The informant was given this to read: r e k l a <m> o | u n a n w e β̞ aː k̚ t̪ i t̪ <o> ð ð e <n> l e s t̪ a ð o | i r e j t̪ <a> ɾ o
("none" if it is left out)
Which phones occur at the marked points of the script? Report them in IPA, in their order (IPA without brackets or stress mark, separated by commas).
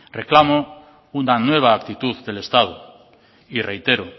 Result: m, u, none, e